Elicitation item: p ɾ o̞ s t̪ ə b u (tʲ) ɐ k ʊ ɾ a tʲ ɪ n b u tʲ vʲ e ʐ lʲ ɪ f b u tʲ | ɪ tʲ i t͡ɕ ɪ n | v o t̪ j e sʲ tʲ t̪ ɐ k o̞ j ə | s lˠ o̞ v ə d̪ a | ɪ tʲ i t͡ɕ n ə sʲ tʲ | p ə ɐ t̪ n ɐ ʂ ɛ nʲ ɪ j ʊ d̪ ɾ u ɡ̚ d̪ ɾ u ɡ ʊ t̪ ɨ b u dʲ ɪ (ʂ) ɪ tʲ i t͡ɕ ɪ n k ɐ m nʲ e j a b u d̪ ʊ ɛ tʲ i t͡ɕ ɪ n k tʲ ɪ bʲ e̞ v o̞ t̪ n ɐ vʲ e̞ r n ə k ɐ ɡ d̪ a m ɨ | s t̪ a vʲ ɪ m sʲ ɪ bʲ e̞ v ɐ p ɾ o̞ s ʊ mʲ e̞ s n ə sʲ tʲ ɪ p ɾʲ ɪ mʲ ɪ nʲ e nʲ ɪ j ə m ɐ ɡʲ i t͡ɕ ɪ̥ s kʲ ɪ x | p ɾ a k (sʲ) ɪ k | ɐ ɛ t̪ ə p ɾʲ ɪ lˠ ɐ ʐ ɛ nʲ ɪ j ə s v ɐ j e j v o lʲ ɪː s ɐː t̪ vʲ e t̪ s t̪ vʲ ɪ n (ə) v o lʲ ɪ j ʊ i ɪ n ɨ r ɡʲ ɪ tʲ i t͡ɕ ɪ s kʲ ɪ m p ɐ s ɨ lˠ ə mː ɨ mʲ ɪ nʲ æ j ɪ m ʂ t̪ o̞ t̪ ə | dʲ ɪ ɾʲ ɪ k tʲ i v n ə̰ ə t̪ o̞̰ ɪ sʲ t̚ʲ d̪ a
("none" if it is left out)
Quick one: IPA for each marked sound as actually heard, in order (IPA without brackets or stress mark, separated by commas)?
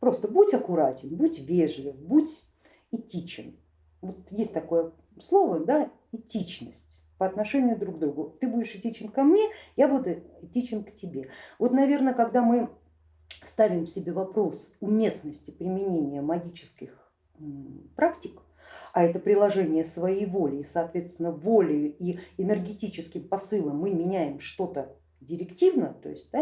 tʲ, ʂ, tʲ, ə